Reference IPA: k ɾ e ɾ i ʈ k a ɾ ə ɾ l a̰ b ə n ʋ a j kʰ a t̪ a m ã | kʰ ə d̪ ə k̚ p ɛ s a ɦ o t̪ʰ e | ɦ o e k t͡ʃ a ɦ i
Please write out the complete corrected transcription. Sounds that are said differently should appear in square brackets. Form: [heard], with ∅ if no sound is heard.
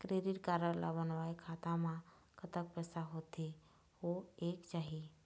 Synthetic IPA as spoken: k ɾ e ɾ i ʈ k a ɾ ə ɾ l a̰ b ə n ʋ a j kʰ a t̪ a m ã | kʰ ə [t̪] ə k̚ p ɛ s a ɦ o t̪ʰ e | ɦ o e k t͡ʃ a ɦ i